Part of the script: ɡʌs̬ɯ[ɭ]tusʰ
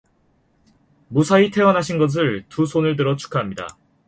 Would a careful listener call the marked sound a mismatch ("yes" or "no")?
no